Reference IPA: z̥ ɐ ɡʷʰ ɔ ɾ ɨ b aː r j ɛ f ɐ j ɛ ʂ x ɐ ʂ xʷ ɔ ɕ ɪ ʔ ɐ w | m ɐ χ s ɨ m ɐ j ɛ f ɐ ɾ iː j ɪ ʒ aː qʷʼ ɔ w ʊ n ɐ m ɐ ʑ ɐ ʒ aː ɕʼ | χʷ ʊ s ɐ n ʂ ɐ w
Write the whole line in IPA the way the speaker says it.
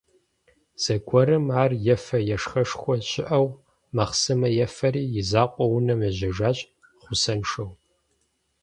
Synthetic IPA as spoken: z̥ ɐ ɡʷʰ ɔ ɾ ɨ m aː r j ɛ f ɐ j ɛ ʂ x ɐ ʂ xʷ ɔ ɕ ɪ ʔ ɐ w | m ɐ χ s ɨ m ɐ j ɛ f ɐ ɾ iː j ɪ z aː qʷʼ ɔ w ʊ n ɐ m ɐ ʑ ɐ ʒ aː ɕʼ | χʷ ʊ s ɐ n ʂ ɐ w